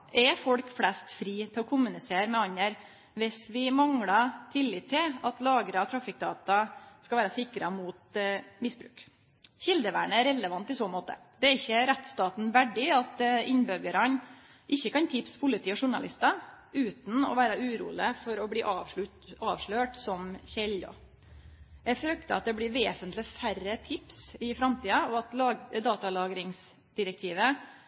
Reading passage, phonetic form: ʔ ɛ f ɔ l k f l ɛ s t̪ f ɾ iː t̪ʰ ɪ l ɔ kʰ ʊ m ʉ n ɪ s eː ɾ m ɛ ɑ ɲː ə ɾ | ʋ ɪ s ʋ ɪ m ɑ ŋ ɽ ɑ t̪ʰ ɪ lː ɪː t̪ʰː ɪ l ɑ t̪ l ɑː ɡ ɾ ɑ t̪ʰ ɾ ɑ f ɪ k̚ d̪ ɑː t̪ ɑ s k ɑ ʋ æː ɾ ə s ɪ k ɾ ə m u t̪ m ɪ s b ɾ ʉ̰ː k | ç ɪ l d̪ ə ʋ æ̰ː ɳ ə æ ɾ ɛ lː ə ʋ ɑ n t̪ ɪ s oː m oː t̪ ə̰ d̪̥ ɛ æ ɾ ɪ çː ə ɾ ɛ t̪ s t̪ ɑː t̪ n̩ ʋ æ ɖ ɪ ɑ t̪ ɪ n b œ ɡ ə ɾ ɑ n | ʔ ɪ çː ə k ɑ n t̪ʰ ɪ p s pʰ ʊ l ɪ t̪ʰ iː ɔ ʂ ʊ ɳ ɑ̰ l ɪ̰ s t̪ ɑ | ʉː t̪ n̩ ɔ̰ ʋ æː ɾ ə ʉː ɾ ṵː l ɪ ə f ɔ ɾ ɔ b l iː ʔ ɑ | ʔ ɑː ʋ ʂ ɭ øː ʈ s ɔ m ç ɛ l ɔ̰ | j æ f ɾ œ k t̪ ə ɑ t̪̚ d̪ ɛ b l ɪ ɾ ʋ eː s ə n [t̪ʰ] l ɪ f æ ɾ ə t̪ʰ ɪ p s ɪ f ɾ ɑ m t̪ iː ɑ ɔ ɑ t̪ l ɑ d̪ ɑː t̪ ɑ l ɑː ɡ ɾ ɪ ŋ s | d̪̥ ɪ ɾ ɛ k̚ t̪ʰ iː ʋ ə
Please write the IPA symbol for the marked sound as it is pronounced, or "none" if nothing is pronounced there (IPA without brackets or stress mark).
t̪